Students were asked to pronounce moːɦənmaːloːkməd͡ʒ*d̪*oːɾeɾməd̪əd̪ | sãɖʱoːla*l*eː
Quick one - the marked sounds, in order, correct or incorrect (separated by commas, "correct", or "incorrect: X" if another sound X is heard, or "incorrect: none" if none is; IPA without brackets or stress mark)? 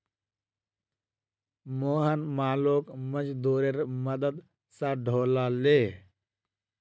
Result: correct, correct